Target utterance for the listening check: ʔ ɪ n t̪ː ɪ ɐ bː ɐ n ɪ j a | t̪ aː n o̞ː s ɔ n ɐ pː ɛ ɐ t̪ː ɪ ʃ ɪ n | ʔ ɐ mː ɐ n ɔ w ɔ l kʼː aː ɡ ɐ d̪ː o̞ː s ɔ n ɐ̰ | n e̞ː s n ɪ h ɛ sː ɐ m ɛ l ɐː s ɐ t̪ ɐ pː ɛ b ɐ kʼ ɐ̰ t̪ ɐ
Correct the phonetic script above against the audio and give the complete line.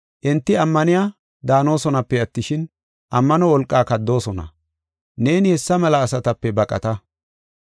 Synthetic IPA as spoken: ʔ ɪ n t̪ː ɪ ɐ mː ɐ n ɪ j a | d̪ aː n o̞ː s ɔ n ɐ pː ɛ ɐ t̪ː ɪ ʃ ɪ n | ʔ ɐ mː ɐ n ɔ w ɔ l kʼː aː k ɐ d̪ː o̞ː s ɔ n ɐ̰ | n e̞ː n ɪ h ɛ sː ɐ m ɛ l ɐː s ɐ t̪ ɐ pː ɛ b ɐ kʼ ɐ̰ t̪ ɐ